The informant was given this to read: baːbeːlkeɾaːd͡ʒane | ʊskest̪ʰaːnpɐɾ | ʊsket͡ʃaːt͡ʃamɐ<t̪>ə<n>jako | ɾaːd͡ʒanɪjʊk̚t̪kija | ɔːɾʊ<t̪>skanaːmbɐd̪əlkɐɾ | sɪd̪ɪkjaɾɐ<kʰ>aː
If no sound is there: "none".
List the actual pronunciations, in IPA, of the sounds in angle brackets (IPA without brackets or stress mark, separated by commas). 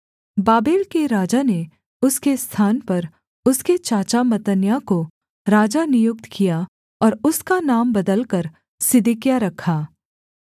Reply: t̪, n, none, kʰ